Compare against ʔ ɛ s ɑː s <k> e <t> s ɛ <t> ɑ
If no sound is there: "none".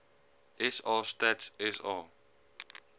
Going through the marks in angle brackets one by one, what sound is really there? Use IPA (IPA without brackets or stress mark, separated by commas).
t, t, s